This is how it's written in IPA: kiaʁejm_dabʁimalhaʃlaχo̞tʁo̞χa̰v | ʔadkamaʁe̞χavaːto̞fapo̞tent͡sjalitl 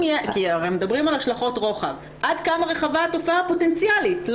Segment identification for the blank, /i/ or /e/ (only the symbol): e